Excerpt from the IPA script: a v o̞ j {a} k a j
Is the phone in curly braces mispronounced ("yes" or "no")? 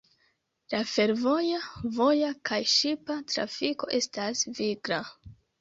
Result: no